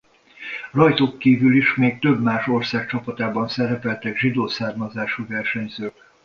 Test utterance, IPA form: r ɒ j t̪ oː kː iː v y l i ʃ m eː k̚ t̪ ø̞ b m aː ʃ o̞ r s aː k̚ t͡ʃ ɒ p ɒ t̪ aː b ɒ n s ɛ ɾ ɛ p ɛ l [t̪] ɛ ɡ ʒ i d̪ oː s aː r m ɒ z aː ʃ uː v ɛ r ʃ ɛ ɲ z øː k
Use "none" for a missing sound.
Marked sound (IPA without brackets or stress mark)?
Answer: t̪